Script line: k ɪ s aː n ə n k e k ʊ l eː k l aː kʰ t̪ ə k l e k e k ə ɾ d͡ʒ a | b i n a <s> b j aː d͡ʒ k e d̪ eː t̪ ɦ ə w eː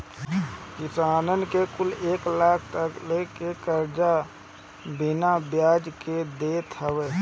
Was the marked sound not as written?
yes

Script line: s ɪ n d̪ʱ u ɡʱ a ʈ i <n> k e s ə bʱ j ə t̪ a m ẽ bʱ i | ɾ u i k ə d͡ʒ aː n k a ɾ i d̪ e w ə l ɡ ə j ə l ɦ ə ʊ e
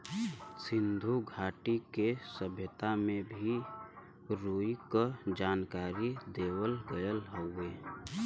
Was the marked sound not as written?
yes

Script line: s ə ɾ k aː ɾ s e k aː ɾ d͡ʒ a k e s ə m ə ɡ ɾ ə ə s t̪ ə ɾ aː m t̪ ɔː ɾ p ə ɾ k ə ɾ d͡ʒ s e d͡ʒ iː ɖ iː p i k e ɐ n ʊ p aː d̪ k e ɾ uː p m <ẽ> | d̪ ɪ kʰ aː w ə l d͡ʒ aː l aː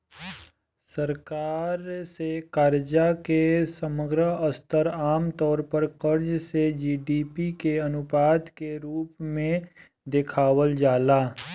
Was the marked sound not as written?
no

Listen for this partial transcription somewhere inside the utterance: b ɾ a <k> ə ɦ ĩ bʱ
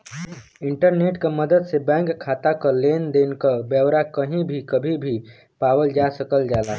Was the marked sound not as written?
no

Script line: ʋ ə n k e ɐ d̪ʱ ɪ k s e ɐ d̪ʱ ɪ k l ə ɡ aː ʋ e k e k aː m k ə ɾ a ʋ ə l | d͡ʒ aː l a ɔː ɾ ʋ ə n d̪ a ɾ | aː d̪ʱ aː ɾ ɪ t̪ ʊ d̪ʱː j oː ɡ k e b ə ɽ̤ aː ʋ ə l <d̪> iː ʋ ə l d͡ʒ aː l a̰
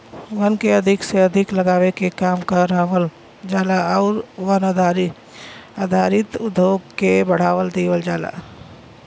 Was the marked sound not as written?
no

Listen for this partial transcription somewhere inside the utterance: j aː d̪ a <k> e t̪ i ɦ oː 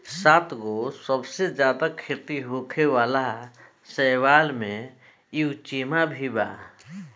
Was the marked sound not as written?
yes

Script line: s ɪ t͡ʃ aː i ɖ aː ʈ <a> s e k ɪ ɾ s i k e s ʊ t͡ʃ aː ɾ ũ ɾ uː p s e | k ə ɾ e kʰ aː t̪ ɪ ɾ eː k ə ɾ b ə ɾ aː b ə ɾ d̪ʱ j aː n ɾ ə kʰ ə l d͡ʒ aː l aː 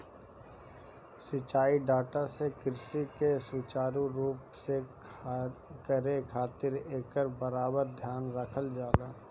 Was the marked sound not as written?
no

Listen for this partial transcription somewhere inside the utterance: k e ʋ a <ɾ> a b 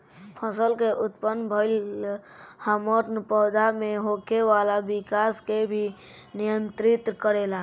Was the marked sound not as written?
yes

